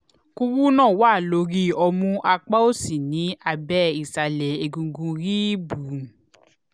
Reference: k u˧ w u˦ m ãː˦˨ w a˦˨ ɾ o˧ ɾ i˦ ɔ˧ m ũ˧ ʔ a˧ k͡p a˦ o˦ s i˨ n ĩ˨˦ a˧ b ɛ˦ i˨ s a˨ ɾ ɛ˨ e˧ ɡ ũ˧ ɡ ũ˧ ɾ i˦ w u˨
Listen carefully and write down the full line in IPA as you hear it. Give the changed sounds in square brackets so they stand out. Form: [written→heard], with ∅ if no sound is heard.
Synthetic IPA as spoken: k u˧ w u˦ [m→n] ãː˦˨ w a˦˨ [ɾ→l] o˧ ɾ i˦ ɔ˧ m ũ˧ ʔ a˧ k͡p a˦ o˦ s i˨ n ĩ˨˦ a˧ b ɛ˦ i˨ s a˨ [ɾ→l] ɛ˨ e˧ ɡ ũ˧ ɡ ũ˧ ɾ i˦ [w→b] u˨

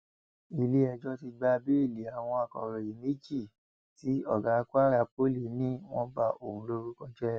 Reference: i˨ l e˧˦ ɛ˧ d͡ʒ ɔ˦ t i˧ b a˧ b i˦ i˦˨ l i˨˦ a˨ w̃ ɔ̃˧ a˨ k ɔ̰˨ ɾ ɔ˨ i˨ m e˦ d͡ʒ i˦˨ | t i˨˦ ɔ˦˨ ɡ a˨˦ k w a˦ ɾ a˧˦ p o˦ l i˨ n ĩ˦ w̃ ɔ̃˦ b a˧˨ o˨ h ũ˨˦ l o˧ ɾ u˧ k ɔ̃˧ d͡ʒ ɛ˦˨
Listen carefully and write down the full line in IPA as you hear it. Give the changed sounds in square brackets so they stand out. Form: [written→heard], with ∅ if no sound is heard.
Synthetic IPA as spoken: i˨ l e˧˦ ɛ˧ d͡ʒ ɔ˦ t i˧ [b→ɡ͡b] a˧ b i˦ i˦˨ l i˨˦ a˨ w̃ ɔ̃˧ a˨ k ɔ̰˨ ɾ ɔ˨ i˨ m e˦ d͡ʒ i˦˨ | t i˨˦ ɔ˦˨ ɡ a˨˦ k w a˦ ɾ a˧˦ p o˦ l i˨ n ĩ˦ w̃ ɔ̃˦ b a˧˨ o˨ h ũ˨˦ l o˧ ɾ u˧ k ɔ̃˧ d͡ʒ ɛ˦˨

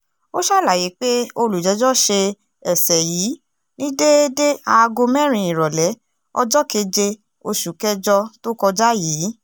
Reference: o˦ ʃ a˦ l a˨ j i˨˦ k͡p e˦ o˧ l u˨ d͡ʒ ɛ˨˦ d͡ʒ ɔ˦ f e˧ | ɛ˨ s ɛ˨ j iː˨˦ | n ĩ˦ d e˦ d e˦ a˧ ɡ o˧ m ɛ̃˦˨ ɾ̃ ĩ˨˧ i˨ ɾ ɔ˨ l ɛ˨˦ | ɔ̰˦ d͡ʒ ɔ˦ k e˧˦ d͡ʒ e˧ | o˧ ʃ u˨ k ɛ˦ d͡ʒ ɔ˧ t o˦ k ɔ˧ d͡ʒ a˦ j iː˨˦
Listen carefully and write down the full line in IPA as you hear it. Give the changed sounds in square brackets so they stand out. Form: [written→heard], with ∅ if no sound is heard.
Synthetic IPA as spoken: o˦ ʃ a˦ l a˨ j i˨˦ k͡p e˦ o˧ l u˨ d͡ʒ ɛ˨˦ d͡ʒ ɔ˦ [f→ʃ] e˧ | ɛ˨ s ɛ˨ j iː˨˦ | n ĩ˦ d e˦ d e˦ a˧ ɡ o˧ m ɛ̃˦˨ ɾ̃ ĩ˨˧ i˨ ɾ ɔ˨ l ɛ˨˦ | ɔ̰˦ d͡ʒ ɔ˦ k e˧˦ d͡ʒ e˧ | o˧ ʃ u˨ k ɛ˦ d͡ʒ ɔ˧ t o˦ k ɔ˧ d͡ʒ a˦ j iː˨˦

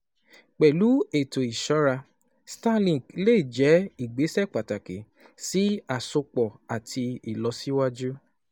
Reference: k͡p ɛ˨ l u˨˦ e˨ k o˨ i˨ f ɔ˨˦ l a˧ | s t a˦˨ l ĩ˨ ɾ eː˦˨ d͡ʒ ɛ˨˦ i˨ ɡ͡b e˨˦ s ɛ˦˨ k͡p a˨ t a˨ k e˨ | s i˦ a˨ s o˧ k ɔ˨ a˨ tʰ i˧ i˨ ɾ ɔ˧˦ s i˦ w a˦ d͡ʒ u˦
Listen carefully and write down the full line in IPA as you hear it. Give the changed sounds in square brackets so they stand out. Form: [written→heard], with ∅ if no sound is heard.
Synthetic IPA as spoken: k͡p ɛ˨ l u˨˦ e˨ [k→t] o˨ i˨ [f→ʃ] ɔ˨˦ [l→ɾ] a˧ | s t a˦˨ l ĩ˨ [ɾ→l] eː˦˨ d͡ʒ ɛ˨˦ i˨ ɡ͡b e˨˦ s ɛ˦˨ k͡p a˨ t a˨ k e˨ | s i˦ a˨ s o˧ [k→k͡p] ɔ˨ a˨ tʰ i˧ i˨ [ɾ→l] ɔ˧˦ s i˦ w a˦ d͡ʒ u˦

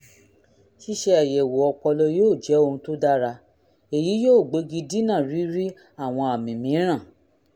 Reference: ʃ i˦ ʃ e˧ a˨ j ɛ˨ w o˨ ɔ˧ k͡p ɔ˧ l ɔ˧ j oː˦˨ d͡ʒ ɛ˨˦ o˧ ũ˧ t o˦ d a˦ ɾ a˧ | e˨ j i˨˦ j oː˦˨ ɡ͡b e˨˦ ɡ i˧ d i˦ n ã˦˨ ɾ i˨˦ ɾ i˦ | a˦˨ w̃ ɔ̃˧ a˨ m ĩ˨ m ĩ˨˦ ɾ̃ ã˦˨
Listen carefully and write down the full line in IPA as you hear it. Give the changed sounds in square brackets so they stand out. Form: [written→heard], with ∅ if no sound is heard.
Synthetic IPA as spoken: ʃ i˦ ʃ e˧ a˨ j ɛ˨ w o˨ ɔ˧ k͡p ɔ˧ l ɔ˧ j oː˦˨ d͡ʒ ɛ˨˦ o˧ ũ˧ t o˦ d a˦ ɾ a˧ | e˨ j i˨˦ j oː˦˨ ɡ͡b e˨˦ ɡ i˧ d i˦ n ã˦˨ ɾ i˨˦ ɾ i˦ | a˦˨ w̃ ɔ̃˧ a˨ m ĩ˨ m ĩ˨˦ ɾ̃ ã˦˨

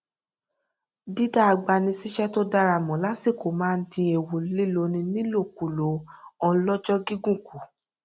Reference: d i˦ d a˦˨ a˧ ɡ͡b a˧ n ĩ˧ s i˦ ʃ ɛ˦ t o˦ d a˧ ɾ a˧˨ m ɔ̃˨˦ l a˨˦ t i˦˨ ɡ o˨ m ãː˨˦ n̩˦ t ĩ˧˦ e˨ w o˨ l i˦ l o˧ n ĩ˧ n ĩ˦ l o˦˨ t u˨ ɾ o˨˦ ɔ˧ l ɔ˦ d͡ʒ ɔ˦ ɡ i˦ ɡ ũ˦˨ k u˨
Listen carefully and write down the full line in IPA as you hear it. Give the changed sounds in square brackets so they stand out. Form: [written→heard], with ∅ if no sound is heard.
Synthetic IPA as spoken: d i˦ d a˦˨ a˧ ɡ͡b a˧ n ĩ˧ s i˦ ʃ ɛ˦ t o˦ d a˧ ɾ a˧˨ m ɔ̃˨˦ l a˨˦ [t→s] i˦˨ [ɡ→k] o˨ m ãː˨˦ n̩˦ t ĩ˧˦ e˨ w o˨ l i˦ l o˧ n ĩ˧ n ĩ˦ l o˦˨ [t→k] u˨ [ɾ→l] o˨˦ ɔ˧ l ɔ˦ d͡ʒ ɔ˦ ɡ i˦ ɡ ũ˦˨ k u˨

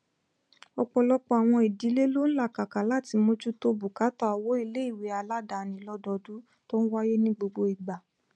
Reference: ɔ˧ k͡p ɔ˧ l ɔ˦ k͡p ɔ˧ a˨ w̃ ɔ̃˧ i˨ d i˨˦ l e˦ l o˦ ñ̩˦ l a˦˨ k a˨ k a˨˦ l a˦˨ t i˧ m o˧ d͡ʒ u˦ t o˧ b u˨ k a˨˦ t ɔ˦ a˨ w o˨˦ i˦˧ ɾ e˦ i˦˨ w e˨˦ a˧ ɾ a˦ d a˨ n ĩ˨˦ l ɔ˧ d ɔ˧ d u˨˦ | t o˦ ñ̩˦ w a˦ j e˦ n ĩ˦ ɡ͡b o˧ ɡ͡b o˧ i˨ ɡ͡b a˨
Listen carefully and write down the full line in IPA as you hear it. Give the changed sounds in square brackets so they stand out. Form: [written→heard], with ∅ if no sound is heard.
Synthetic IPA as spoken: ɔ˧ k͡p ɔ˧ l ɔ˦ k͡p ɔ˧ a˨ w̃ ɔ̃˧ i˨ d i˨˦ l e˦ l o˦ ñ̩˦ l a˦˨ k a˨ k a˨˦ l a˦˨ t i˧ m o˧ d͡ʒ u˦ t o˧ b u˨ k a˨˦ t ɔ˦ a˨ w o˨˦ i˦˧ [ɾ→l] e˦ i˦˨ w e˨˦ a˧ [ɾ→l] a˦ d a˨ n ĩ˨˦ l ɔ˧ d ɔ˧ d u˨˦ | t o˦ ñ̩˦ w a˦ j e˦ n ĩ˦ ɡ͡b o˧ ɡ͡b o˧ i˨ ɡ͡b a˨

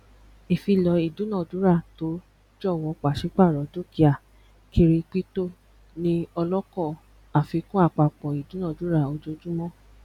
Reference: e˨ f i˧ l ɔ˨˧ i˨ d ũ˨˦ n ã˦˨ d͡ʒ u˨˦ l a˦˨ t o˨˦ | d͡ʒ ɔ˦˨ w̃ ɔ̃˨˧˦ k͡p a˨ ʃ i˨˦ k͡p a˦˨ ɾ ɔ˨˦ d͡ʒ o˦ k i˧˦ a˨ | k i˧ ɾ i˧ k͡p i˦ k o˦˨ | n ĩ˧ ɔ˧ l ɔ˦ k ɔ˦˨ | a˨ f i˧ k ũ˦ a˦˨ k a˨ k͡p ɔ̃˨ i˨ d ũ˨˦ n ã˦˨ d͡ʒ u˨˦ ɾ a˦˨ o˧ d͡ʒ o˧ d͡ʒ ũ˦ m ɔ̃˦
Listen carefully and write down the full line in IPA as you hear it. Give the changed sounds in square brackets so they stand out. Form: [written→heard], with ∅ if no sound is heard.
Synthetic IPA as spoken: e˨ f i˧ l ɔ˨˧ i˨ d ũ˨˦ n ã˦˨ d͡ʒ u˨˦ [l→ɾ] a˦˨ t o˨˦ | d͡ʒ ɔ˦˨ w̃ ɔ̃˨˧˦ k͡p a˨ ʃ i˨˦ k͡p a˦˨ ɾ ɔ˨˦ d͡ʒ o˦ k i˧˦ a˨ | k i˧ ɾ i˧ k͡p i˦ [k→t] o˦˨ | n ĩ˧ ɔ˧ l ɔ˦ k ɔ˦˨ | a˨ f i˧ k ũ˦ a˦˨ [k→k͡p] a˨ k͡p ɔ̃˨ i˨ d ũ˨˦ n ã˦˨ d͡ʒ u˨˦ ɾ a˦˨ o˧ d͡ʒ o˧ d͡ʒ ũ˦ m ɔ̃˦

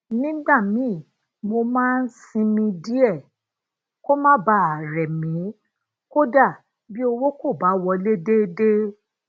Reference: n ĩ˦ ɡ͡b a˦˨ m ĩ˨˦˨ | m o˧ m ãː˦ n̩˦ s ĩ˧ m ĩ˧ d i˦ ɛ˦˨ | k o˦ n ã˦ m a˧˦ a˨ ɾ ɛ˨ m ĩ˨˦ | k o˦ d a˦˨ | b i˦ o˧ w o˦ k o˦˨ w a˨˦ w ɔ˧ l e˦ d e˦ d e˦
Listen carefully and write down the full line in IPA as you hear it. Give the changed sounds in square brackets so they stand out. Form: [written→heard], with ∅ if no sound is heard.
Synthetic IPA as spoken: n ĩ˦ ɡ͡b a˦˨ m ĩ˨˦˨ | m o˧ m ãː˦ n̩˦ s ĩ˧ m ĩ˧ d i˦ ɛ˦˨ | k o˦ [n→m] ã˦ [m→b] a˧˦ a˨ ɾ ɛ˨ m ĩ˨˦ | k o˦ d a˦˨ | b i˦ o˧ w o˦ k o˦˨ [w→b] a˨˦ w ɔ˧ l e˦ d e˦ d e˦

